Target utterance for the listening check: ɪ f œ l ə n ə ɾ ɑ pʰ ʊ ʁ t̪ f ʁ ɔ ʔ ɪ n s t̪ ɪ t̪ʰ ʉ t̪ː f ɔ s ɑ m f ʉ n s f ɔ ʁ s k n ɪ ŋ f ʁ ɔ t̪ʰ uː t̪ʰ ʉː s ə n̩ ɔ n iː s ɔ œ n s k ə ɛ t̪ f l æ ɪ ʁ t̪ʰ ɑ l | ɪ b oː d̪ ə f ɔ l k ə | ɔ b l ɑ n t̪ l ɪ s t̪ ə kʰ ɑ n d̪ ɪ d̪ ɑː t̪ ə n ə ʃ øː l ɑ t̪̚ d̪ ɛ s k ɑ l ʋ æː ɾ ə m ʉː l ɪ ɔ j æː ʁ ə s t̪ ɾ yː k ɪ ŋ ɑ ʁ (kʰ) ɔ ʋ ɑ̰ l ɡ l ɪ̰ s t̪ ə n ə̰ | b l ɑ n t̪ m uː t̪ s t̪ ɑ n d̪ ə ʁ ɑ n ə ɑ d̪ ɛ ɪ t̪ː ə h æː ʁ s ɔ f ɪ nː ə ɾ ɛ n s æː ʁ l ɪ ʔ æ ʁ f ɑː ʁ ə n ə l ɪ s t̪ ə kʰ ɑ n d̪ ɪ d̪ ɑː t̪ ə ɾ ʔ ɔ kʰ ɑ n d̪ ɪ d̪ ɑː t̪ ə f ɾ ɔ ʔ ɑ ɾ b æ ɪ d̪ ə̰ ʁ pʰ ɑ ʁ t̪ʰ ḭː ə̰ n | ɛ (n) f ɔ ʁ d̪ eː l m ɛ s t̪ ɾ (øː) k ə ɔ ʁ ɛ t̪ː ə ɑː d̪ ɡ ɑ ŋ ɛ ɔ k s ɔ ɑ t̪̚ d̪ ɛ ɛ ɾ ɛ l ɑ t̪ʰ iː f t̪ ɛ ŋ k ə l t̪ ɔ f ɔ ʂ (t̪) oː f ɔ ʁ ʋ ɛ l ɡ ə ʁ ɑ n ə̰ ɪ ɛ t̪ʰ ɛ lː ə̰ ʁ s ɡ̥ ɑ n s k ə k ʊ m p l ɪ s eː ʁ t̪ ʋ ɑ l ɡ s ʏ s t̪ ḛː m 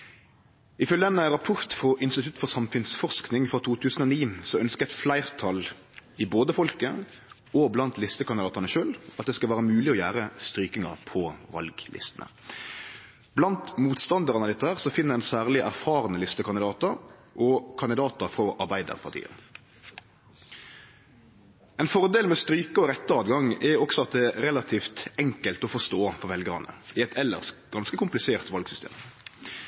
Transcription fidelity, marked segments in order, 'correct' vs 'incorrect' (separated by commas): incorrect, correct, incorrect, correct